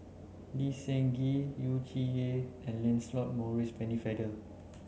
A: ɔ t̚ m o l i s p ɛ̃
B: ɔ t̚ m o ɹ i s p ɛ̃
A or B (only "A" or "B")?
B